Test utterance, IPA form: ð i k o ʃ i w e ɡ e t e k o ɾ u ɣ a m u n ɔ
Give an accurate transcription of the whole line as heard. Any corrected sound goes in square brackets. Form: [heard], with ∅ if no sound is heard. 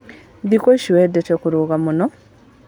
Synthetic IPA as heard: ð i k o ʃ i w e [d] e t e k [u] ɾ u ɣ a m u n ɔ